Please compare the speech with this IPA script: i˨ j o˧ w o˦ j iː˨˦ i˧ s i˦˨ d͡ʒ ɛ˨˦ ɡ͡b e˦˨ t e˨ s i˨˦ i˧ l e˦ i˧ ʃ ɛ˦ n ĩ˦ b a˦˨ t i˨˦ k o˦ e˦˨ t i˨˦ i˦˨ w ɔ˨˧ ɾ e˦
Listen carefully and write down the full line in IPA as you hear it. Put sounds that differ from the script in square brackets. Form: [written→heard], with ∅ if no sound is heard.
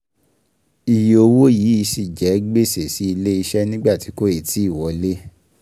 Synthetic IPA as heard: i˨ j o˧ w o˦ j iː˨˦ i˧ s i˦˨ d͡ʒ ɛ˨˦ ɡ͡b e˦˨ [t→s] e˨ s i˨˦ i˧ l e˦ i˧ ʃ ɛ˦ n ĩ˦ [b→ɡ͡b] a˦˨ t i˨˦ k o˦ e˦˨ t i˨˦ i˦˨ w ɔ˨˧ [ɾ→l] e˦